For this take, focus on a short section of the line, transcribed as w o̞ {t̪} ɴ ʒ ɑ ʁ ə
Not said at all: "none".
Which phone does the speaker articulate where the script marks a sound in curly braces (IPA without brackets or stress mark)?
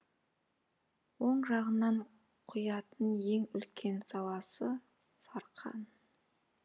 none